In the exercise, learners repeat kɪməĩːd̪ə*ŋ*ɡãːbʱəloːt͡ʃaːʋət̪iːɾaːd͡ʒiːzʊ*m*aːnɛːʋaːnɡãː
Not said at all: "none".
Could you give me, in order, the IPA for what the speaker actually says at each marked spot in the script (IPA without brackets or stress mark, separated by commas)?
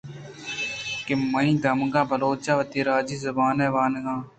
m, b